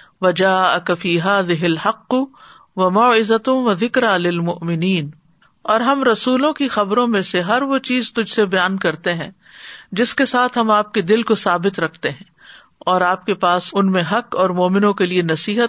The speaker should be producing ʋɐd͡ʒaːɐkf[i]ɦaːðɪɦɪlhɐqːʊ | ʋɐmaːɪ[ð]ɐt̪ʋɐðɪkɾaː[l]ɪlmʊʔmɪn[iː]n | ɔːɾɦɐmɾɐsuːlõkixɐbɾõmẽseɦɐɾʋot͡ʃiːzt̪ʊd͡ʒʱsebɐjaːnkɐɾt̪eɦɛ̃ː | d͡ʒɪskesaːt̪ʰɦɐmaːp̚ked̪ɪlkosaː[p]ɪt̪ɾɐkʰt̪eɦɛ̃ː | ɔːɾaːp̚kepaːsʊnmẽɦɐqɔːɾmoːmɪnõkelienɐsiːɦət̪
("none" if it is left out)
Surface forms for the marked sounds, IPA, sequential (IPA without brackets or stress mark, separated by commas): iː, z, l, iː, b